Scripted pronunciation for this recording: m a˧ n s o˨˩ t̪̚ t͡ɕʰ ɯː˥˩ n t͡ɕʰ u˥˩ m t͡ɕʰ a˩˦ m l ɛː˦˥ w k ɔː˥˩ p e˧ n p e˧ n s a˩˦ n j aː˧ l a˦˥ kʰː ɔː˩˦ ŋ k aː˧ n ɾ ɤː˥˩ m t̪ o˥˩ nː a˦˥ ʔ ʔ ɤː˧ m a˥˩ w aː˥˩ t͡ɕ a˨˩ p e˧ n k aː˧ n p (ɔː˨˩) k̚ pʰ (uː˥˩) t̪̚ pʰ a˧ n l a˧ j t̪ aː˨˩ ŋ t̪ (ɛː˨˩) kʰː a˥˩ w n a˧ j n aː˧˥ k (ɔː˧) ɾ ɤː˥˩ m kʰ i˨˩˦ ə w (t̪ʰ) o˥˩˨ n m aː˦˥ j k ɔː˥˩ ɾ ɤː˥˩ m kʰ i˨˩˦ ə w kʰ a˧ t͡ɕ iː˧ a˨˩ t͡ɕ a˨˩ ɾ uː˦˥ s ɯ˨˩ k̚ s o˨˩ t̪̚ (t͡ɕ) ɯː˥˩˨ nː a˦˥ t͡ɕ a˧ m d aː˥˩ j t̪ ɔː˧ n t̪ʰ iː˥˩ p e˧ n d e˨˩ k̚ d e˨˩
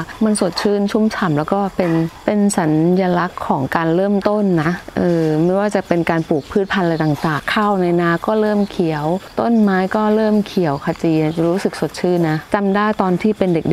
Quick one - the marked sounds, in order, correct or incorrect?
incorrect, incorrect, incorrect, incorrect, incorrect, incorrect

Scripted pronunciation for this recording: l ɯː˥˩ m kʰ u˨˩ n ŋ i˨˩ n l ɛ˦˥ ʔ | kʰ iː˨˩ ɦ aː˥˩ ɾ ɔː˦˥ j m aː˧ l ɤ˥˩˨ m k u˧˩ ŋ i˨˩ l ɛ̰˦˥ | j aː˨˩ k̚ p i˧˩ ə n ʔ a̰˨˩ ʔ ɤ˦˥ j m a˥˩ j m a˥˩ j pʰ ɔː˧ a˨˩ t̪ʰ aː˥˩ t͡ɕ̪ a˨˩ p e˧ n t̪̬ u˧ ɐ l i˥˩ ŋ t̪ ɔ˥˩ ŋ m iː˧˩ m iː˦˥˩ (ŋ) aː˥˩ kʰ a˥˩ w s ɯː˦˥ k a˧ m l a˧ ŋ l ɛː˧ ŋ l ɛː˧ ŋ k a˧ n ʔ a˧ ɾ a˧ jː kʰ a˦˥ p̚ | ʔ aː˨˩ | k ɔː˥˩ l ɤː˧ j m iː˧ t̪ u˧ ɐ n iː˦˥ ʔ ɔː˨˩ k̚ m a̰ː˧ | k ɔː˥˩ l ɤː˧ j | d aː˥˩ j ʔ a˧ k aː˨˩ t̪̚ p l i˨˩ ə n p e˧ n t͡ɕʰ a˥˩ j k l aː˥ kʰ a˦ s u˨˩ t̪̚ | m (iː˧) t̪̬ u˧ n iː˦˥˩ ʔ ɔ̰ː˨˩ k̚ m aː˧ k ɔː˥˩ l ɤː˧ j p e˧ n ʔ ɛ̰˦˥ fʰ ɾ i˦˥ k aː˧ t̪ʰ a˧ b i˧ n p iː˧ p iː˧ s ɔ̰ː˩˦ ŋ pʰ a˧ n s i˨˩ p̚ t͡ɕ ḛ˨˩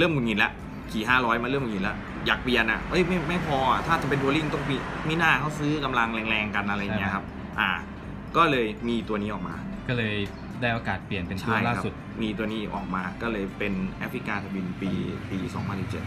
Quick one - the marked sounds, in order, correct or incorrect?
incorrect, correct

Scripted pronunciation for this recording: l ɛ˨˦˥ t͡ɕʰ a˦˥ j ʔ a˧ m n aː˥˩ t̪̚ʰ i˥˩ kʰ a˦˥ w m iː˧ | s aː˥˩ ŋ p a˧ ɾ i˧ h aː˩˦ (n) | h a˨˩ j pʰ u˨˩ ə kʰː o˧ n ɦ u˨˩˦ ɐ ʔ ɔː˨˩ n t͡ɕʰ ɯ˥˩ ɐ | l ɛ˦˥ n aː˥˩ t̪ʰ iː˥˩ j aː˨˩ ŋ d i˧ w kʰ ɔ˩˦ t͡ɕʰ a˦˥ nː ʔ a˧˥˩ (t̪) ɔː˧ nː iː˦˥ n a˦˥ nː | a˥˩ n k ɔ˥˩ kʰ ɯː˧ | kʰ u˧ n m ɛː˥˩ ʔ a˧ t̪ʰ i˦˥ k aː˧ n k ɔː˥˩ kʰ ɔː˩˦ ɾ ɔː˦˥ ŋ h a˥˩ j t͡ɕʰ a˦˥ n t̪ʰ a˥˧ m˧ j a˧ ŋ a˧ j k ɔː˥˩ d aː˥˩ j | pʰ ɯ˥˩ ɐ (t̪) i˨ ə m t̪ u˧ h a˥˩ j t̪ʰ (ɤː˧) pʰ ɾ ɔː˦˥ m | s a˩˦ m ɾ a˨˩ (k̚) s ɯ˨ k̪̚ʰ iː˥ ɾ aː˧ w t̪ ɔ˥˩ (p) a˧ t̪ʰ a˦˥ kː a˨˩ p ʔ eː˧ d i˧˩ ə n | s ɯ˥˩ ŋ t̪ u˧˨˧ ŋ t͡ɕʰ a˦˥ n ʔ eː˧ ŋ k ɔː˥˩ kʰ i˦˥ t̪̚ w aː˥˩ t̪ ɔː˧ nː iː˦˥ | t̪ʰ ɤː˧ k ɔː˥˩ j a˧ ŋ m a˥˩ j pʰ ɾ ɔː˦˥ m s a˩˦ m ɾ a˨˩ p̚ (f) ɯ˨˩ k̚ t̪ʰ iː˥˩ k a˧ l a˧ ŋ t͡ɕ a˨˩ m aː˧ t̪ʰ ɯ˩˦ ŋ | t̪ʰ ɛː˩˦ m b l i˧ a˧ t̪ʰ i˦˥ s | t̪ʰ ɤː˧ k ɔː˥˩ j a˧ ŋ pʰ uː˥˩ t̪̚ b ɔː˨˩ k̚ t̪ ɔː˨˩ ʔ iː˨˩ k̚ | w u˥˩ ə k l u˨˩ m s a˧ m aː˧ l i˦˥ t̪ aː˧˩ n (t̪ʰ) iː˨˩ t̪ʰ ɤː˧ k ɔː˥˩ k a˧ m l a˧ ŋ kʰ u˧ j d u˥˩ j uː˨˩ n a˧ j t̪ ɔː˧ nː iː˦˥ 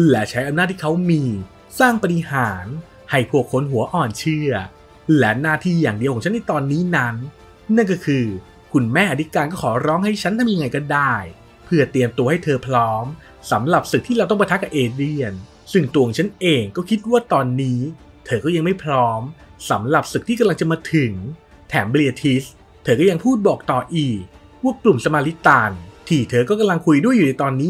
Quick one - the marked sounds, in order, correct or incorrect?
correct, correct, correct, correct, incorrect, correct, incorrect, correct

